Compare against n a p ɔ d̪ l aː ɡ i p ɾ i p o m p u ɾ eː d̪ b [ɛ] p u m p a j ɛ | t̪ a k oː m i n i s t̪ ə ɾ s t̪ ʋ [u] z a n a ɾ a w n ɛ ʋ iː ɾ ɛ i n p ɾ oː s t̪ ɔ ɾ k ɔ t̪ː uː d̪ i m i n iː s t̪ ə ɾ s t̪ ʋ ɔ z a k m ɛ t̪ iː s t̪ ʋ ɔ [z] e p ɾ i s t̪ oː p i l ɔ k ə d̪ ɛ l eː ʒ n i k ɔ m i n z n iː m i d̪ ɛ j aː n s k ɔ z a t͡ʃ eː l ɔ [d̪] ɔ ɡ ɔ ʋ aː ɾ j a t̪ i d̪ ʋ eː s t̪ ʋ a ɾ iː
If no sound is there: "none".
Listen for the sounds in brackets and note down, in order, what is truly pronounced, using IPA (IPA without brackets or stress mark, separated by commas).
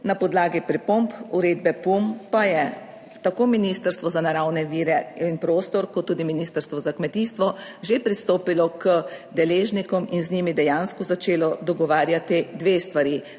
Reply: ɛ, ɔ, ʒ, d̪